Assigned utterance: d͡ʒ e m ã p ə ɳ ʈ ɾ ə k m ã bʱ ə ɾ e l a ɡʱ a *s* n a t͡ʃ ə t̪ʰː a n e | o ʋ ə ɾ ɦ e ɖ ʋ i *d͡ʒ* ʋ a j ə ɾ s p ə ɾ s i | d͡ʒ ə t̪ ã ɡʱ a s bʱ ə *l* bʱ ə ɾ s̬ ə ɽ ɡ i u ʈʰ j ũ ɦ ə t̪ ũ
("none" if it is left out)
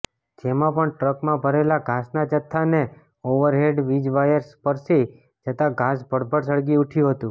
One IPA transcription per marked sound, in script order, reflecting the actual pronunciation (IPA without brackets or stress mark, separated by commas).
s, d͡ʒ, ɽ